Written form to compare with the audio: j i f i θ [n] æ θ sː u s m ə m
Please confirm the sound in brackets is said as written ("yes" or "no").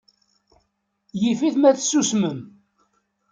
no